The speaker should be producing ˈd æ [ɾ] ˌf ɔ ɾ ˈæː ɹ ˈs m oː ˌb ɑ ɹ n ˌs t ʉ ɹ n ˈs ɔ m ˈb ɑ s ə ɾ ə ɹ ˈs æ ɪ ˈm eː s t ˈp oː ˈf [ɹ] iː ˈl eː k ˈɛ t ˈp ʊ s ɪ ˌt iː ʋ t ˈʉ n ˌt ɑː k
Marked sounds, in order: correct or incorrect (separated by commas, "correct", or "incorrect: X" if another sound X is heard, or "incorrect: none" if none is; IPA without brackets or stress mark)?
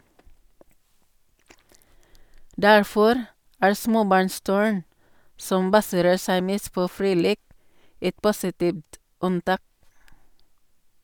incorrect: ɹ, correct